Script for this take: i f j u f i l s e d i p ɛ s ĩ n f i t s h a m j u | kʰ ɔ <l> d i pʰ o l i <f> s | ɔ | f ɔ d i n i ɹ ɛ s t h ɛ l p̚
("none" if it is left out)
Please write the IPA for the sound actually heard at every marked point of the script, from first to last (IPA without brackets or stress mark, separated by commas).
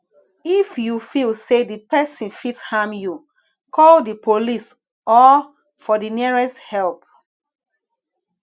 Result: l, none